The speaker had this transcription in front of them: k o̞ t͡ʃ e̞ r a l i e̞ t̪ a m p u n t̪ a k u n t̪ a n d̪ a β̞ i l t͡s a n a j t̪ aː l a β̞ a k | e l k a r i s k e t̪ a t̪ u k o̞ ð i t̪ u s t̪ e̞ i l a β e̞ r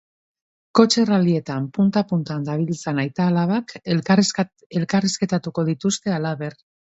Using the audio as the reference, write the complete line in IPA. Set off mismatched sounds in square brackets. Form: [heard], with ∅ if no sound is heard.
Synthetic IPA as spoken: k o̞ t͡ʃ e̞ r a l i e̞ t̪ a m p u n t̪ a [p] u n t̪ a n d̪ a β̞ i l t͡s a n a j t̪ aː l a β̞ a k | e l k a r i s k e t̪ a t̪ u k o̞ ð i t̪ u s t̪ e̞ [a] l a β e̞ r